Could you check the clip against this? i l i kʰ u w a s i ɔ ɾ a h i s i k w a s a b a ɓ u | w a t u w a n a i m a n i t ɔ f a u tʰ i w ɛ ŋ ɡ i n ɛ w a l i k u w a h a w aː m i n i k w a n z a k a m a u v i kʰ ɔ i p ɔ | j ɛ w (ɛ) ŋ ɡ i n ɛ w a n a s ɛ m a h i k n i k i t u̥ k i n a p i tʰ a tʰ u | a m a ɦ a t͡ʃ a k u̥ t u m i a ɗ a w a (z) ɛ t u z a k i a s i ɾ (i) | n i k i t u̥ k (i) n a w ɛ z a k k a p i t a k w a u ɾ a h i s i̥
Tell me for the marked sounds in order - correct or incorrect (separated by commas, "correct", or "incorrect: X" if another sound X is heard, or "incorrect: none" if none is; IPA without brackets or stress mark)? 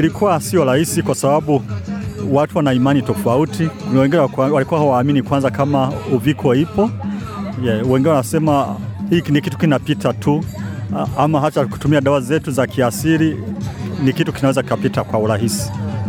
correct, correct, correct, correct